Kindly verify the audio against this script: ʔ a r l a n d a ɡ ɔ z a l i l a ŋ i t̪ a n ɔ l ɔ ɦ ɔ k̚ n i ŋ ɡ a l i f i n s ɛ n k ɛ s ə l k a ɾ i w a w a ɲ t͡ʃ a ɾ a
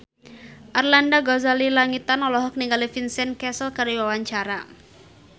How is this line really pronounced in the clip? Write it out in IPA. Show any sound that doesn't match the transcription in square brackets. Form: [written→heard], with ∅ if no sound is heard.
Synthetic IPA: ʔ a r l a n d a ɡ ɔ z a l i l a ŋ i t̪ a n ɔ l ɔ ɦ ɔ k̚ n i ŋ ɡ a l i f i n s ɛ n k ɛ s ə l k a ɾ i w a w a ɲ t͡ʃ a ɾ a